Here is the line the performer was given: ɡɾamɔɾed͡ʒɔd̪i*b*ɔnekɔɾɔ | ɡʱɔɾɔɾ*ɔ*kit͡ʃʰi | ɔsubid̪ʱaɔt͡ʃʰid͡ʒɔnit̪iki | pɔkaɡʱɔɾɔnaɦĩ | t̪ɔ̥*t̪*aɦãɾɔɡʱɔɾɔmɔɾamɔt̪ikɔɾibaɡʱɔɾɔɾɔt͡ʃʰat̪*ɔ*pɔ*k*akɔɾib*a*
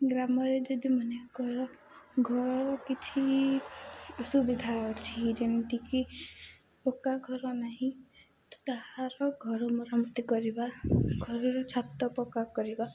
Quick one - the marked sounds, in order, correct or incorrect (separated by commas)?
incorrect, correct, correct, correct, correct, correct